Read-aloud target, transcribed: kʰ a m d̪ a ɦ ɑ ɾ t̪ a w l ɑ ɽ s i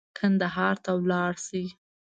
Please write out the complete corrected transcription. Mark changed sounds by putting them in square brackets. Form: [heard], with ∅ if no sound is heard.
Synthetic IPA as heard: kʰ a [n] d̪ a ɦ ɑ ɾ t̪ a w l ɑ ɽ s i